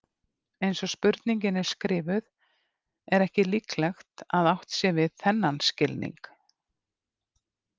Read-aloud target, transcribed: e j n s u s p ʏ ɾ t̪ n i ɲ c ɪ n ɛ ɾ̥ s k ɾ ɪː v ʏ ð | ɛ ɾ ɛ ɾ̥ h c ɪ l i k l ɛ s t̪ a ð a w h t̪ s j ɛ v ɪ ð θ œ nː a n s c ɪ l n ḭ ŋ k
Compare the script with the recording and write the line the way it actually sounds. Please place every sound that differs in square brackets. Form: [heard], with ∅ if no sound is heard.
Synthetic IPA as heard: e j n s [ɔ] s p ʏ ɾ t̪ n i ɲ c ɪ n ɛ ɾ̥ s k ɾ ɪː v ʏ ð | ɛ ɾ ɛ [∅] h c ɪ l i k l ɛ [x] t̪ a ð a w h t̪ s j ɛ v ɪ ð θ [ɛ] nː a n s c ɪ l n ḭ ŋ k